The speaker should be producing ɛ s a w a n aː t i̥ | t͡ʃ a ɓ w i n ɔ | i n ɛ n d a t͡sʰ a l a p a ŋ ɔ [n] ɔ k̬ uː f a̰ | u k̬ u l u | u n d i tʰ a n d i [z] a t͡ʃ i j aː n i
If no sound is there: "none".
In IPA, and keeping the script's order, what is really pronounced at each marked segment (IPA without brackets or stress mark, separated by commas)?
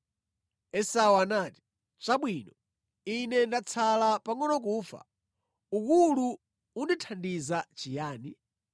n, z